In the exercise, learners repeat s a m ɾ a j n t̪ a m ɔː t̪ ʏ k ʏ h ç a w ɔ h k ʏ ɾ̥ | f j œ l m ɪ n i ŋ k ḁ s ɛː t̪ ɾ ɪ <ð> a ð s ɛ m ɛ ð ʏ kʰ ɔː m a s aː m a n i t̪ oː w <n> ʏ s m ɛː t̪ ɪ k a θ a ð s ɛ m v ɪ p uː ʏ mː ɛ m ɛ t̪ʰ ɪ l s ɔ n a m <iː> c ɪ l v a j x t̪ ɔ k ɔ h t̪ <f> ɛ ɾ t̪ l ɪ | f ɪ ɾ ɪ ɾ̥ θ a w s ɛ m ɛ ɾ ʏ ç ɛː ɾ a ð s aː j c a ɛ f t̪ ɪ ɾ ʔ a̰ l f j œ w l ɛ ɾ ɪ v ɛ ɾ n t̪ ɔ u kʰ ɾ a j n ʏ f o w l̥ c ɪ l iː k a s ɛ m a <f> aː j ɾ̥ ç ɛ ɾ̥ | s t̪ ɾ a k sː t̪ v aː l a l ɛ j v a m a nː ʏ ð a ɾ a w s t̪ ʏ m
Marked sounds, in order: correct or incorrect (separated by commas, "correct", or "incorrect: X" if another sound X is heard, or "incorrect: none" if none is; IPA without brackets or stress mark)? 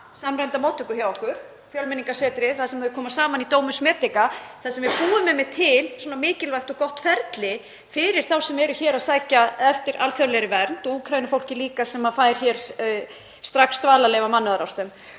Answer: incorrect: θ, incorrect: m, incorrect: ɪː, correct, correct